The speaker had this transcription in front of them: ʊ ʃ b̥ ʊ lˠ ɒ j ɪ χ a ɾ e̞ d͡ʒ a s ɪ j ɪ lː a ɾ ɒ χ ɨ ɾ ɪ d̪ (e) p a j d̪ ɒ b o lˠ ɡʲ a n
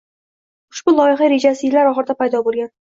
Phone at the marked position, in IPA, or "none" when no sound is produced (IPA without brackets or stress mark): a